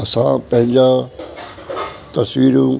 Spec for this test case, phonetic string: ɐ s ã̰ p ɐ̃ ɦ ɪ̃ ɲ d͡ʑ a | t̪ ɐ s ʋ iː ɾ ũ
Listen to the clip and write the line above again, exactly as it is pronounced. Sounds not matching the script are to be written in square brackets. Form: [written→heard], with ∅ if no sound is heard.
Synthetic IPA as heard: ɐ s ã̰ p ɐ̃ ɦ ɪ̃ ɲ d͡ʑ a | t̪ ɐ s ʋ iː ɾ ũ